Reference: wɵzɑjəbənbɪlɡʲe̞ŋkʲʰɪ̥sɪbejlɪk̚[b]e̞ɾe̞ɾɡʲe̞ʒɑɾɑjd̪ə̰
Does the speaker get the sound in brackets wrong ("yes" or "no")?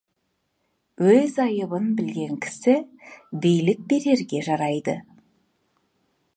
no